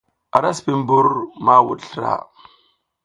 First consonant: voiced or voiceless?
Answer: voiced